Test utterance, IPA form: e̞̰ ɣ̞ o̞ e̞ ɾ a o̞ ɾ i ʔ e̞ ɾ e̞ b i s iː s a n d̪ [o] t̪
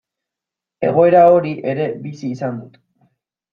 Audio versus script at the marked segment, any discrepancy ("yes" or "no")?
yes